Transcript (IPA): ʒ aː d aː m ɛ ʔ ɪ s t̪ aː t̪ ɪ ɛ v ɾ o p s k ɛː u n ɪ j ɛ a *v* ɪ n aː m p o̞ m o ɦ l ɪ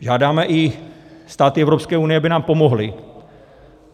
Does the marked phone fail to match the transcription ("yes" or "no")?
yes